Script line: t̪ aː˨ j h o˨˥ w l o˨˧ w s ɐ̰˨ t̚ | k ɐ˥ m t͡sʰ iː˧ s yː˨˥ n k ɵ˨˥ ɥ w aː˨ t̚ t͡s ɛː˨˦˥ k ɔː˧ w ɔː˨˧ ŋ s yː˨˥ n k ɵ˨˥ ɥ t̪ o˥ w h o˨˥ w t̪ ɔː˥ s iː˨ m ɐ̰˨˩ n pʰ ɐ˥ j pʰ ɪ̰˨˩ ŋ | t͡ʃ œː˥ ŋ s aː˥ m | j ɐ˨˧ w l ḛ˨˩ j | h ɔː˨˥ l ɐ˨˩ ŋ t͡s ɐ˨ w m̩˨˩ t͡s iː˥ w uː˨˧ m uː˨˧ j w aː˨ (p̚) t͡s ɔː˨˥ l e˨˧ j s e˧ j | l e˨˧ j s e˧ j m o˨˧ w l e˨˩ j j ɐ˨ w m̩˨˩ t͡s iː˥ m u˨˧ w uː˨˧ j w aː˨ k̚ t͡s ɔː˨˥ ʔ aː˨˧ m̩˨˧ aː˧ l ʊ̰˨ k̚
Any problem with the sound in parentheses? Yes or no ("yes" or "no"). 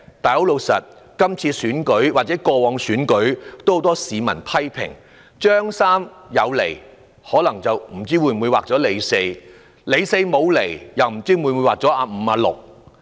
yes